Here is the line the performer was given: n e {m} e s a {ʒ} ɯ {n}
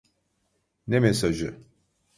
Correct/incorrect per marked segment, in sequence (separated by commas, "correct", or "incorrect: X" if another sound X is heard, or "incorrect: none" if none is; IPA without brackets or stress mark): correct, correct, incorrect: none